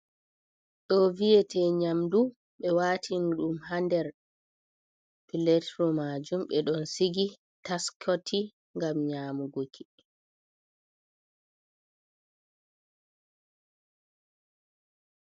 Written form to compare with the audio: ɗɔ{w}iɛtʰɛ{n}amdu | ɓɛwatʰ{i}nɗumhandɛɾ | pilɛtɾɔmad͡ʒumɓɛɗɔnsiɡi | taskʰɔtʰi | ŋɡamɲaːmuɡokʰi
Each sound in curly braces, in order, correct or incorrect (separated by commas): incorrect, incorrect, correct